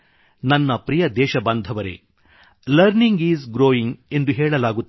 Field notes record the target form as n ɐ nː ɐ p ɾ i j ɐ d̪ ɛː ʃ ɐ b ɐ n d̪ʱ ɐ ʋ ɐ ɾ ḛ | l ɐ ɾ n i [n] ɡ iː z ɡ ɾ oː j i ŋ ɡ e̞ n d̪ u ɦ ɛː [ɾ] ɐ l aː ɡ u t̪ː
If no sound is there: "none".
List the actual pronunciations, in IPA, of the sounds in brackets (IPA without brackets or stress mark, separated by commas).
ŋ, ɭ